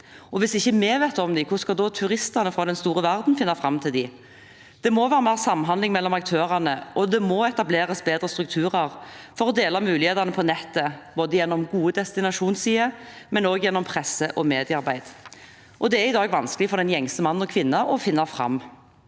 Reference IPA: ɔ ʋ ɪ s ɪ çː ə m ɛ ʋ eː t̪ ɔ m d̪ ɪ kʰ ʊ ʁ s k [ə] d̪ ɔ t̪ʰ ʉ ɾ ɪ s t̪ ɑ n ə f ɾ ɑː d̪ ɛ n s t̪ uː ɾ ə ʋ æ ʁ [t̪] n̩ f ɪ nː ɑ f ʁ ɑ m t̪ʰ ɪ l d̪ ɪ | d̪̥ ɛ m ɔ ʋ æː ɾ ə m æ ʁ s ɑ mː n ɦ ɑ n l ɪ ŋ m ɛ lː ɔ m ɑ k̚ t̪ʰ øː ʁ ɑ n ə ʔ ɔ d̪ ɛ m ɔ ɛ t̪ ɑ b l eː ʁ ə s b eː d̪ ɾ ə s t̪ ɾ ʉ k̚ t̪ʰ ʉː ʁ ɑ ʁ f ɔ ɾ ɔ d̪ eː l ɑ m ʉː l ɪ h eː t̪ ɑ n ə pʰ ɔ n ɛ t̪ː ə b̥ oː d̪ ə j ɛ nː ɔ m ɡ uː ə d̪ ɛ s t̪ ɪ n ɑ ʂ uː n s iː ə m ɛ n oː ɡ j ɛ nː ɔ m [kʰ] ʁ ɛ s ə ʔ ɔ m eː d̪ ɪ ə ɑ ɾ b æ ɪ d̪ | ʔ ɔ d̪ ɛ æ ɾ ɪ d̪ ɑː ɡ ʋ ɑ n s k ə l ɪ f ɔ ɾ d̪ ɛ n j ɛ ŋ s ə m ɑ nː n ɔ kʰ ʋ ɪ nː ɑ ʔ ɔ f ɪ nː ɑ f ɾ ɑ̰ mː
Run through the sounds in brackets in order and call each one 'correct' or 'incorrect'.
incorrect, incorrect, incorrect

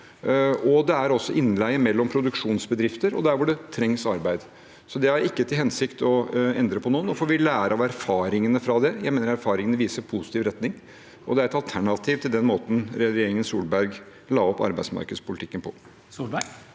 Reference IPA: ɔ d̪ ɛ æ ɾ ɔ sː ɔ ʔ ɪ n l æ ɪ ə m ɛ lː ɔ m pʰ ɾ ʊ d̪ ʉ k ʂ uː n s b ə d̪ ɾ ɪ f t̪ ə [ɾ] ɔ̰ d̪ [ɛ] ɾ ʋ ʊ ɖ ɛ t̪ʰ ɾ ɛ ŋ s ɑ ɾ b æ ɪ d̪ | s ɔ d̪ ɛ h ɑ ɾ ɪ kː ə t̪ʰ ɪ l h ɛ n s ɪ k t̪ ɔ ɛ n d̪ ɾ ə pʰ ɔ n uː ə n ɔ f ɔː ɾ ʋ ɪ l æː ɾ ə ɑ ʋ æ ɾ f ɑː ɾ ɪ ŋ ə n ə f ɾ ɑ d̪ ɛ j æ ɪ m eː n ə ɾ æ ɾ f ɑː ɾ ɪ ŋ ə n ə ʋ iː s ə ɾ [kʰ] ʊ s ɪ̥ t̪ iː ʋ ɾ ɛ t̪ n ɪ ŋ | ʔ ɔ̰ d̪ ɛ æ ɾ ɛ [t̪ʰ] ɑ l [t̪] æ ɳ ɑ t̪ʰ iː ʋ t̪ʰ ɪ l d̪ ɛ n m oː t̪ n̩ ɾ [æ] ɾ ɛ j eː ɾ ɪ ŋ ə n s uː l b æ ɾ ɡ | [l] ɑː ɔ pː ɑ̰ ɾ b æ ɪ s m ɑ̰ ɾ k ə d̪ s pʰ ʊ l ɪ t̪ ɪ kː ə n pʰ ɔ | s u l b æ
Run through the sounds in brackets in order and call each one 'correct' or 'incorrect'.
correct, incorrect, incorrect, incorrect, incorrect, incorrect, correct

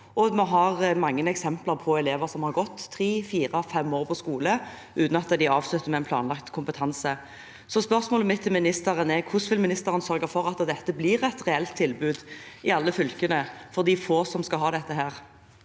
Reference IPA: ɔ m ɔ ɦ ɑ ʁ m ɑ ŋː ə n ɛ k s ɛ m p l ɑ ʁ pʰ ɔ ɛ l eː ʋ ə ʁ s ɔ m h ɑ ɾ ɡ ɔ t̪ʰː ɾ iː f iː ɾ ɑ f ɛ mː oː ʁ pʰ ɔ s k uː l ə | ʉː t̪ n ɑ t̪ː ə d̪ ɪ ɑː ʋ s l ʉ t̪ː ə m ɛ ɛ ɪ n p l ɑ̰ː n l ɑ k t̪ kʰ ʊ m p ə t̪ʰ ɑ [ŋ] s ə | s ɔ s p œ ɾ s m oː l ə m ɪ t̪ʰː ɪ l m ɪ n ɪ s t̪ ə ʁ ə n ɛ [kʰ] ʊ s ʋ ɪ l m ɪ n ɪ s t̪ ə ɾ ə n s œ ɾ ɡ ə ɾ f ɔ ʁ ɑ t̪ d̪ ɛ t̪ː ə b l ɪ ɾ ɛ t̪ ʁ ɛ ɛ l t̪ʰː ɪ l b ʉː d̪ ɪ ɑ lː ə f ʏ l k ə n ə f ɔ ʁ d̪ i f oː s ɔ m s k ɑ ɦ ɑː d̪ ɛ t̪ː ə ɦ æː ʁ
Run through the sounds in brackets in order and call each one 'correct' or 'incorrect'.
incorrect, correct

